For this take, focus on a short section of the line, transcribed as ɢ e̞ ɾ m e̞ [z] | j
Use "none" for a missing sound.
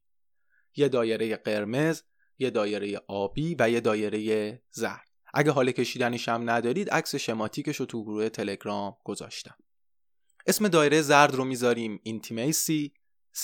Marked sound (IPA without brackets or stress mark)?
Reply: z